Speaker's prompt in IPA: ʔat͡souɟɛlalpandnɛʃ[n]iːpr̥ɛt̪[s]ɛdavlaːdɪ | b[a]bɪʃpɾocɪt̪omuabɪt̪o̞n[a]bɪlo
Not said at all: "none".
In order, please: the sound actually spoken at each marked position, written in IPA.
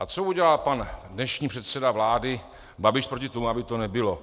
ɲ, s, a, ɛ

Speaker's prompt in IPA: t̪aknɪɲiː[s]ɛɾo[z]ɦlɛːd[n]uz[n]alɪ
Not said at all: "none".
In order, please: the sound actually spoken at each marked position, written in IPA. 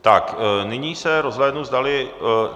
s, z, n, d

